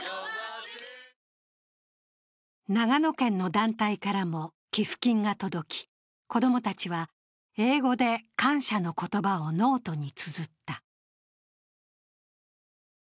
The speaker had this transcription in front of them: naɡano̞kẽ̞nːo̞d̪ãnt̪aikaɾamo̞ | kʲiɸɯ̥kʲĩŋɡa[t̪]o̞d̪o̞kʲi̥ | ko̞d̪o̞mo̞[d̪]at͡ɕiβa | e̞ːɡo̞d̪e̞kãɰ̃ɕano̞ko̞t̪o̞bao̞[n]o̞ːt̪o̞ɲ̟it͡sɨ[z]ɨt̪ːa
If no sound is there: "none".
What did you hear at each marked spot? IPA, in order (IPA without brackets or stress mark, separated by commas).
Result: t̪, t̪, n, z